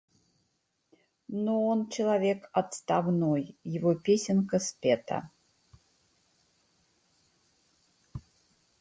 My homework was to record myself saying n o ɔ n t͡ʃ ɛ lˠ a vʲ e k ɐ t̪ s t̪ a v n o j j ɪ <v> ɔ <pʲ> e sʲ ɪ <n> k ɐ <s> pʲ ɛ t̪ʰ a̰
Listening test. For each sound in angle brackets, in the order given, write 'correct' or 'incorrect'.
correct, correct, correct, correct

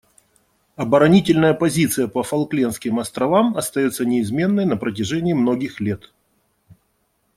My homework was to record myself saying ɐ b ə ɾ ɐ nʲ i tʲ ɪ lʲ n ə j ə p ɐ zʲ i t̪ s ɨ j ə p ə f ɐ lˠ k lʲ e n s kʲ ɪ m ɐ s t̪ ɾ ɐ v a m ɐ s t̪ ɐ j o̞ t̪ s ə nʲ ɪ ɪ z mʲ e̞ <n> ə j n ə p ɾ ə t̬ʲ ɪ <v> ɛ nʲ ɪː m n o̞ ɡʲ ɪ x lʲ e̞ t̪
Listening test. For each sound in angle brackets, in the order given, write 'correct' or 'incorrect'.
incorrect, incorrect

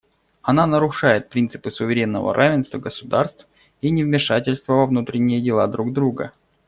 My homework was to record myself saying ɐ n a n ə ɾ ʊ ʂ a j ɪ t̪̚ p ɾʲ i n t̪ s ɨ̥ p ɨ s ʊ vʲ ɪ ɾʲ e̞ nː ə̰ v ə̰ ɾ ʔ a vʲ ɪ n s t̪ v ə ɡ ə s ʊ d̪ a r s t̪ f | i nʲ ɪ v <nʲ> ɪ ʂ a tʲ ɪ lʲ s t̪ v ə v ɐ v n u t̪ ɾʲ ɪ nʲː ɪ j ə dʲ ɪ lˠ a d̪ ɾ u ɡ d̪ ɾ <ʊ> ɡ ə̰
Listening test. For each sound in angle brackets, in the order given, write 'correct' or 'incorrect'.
incorrect, incorrect

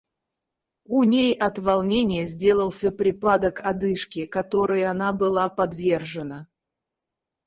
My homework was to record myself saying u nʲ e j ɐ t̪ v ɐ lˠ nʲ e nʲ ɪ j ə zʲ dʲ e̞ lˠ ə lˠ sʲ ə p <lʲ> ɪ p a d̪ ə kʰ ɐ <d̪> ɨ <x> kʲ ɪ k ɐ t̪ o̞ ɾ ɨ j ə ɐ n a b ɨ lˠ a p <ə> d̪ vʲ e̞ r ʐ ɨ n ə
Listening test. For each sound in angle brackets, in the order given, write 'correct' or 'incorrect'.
incorrect, correct, incorrect, incorrect

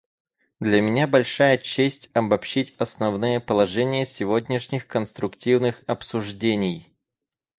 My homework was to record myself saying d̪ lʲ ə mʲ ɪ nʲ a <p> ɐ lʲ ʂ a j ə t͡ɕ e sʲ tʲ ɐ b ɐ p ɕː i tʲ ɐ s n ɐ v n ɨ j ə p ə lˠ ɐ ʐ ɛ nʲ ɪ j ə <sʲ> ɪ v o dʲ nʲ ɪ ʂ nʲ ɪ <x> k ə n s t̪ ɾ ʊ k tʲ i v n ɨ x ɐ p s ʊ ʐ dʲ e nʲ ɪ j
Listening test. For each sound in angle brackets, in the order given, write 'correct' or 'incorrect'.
incorrect, correct, correct

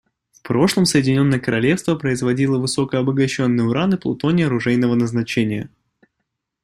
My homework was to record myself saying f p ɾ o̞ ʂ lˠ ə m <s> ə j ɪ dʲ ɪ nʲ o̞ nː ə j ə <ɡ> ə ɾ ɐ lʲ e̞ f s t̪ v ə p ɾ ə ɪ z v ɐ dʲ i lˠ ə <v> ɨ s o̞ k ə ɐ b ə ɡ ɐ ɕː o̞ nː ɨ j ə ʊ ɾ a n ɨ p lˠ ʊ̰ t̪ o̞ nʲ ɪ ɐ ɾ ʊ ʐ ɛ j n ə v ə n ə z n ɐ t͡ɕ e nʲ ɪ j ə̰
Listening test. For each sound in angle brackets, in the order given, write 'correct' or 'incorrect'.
correct, incorrect, correct

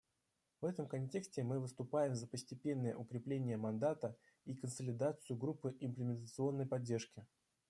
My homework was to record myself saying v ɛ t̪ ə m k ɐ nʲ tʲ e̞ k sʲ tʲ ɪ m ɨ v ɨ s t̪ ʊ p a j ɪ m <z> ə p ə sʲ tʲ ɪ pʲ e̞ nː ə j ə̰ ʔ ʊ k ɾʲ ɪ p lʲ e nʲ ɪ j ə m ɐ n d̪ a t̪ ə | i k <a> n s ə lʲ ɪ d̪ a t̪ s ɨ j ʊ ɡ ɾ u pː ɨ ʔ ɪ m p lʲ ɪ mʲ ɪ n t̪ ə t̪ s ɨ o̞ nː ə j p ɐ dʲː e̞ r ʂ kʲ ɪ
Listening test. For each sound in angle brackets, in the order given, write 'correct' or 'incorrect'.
correct, incorrect

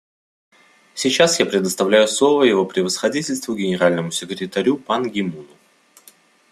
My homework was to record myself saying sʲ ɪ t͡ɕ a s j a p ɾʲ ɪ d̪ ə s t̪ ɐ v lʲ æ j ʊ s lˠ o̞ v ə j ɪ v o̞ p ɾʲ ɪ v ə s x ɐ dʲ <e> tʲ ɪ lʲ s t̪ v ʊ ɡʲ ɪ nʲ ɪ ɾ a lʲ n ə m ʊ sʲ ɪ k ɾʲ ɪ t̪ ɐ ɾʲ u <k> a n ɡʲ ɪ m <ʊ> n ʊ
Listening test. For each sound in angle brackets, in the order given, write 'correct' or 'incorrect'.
incorrect, incorrect, incorrect

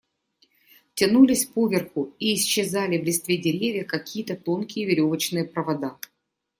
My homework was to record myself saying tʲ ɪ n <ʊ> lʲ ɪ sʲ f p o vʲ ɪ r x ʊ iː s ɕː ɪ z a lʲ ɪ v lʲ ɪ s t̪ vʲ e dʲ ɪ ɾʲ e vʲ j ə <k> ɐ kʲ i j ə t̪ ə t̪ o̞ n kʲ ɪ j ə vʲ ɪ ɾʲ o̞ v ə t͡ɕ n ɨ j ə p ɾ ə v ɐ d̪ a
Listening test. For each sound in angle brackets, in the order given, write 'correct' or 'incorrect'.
incorrect, correct

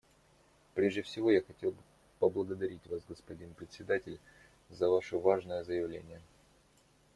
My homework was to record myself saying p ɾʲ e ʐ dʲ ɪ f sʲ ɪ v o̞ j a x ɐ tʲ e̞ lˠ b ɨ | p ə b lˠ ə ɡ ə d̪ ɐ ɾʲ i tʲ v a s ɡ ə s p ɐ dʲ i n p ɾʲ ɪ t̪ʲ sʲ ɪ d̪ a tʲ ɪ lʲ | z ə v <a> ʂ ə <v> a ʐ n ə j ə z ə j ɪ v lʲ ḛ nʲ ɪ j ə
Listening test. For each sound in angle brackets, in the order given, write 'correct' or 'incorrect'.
correct, correct

